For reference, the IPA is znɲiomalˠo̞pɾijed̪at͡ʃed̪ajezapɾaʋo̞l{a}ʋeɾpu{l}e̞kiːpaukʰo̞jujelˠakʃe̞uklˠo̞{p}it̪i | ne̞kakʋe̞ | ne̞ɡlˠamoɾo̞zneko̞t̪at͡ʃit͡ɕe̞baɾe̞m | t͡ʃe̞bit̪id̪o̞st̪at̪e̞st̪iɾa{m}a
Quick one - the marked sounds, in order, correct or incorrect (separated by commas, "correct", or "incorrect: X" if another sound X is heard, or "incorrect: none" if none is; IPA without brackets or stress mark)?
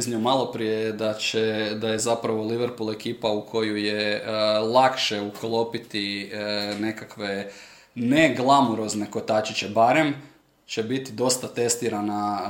incorrect: i, correct, correct, incorrect: n